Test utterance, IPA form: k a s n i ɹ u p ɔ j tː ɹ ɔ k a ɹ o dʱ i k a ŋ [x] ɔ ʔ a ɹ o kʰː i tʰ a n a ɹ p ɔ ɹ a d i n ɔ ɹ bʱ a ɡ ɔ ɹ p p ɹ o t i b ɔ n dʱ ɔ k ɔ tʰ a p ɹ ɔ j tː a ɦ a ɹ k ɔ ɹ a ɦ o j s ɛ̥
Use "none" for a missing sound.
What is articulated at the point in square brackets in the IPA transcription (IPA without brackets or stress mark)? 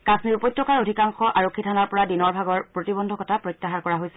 x